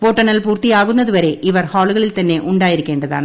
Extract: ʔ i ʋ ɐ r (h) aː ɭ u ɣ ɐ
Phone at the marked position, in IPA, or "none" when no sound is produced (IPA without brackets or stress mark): h